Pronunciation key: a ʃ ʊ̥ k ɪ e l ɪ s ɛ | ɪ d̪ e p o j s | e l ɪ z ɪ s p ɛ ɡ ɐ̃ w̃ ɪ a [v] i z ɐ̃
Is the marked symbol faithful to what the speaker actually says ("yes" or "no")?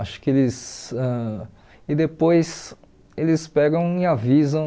yes